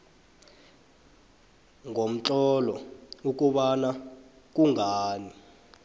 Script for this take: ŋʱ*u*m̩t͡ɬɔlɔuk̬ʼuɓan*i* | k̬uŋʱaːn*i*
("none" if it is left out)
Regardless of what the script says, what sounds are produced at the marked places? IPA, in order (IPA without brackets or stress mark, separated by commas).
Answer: o, a, i